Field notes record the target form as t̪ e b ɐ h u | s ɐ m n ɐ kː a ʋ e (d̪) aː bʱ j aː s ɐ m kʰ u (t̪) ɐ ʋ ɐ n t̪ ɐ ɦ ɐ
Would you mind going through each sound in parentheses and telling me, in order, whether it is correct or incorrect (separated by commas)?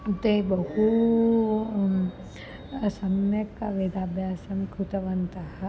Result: correct, correct